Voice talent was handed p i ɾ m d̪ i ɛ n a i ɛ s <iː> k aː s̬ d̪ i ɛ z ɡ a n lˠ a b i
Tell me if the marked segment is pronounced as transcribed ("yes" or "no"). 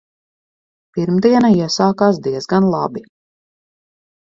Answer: no